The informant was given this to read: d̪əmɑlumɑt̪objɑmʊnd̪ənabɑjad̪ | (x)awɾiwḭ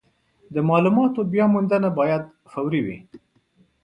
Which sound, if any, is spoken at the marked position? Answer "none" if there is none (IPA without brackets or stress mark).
f